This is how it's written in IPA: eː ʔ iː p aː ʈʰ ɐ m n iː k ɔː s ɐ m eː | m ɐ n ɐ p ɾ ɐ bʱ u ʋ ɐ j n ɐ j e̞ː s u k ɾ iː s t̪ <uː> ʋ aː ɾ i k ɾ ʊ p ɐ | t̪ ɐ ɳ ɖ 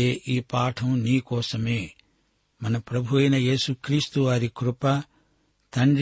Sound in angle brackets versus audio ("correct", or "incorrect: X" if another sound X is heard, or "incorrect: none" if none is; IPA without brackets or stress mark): incorrect: u